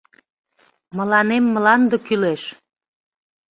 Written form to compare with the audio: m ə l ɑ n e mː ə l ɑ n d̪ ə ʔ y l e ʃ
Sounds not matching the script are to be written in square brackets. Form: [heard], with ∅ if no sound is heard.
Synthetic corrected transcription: m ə l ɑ n e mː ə l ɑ n d̪ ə [k] y l e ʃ